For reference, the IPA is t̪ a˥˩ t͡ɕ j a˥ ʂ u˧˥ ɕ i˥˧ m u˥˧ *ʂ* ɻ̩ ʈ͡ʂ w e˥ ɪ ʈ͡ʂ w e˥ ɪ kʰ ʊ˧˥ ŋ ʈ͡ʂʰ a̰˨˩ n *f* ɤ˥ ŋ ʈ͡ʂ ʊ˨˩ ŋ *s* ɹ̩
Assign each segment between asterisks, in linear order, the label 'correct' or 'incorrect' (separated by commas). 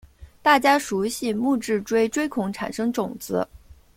incorrect, incorrect, incorrect